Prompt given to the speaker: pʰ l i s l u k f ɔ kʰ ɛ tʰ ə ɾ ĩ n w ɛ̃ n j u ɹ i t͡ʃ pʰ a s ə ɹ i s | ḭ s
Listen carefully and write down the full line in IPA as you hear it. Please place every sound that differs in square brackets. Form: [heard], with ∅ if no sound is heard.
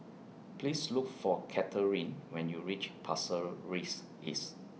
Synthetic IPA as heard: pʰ l i s l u k f ɔ kʰ ɛ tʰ ə [ɹ] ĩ n w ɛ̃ n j u ɹ i t͡ʃ pʰ a s ə ɹ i s | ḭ s